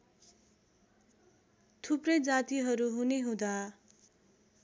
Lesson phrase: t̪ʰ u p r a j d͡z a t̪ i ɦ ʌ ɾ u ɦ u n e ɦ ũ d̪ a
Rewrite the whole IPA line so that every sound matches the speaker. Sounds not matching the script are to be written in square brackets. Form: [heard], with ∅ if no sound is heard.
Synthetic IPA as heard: t̪ʰ u p r [ʌ] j d͡z a t̪ i ɦ ʌ ɾ u ɦ u n e ɦ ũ d̪ a